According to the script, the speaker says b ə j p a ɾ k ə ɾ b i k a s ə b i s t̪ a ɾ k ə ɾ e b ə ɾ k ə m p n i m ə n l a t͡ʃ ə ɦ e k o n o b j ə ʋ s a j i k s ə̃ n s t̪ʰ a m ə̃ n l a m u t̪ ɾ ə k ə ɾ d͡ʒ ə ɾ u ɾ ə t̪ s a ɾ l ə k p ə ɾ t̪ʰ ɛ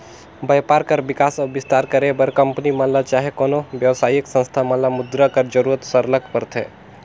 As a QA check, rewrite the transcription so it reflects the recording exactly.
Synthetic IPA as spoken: b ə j p a ɾ k ə ɾ b i k a s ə b i s t̪ a ɾ k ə ɾ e b ə ɾ k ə m p n i m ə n l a t͡ʃ a ɦ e k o n o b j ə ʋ s a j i k s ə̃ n s t̪ʰ a m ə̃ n l a m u d̪ ɾ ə k ə ɾ d͡ʒ ə ɾ u ɾ ə t̪ s ə ɾ l ə k p ə ɾ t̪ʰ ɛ